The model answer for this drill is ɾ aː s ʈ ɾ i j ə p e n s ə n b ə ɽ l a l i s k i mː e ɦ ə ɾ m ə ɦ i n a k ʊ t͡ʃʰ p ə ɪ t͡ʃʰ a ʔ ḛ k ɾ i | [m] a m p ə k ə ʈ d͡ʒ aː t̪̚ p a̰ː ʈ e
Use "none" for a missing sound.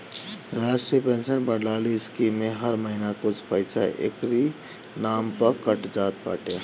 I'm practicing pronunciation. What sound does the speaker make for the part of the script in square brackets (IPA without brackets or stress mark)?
n